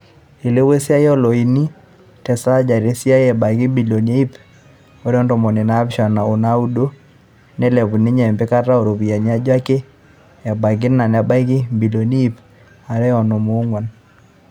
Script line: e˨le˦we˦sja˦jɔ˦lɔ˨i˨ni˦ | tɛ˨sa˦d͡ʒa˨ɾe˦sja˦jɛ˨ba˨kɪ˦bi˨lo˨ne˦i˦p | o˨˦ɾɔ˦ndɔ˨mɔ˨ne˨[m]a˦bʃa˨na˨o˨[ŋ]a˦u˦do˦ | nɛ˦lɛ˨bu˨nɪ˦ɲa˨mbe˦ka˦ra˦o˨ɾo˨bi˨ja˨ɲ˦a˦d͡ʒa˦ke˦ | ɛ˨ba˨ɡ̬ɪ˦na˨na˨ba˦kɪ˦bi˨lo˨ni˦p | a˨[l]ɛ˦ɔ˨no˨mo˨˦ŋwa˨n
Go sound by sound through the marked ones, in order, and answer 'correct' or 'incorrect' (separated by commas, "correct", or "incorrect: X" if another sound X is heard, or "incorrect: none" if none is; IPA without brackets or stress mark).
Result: incorrect: n, incorrect: n, incorrect: ɾ